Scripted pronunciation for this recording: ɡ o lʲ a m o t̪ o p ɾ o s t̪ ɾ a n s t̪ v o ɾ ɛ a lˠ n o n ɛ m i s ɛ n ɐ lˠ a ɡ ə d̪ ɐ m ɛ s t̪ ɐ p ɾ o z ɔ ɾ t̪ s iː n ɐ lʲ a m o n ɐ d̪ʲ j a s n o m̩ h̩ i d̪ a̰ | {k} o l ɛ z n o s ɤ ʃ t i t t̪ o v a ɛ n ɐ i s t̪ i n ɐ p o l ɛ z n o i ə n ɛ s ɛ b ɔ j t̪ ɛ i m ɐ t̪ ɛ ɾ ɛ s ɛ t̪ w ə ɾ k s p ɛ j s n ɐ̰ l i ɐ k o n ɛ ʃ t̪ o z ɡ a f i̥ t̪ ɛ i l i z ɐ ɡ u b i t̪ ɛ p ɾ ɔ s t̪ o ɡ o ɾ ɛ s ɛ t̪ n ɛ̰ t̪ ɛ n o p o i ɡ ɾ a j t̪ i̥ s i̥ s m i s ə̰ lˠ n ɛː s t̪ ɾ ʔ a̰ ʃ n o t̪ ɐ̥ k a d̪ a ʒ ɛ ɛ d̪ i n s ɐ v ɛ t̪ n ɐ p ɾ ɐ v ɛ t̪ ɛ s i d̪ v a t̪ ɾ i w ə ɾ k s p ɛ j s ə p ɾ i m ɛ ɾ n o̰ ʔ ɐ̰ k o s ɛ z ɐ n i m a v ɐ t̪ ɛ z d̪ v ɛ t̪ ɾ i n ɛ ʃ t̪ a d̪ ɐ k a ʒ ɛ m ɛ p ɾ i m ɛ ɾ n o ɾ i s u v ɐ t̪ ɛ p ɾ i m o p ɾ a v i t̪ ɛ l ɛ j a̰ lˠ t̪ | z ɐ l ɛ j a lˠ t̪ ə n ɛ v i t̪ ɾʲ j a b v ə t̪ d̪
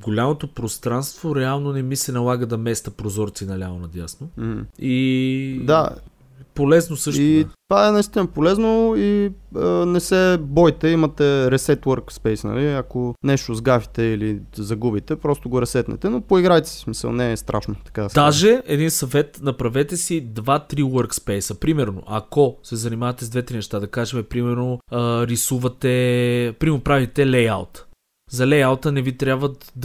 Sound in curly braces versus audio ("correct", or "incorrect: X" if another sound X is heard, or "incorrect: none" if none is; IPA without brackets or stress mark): incorrect: p